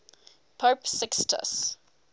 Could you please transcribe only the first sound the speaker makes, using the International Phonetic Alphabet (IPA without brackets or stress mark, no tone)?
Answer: pʰ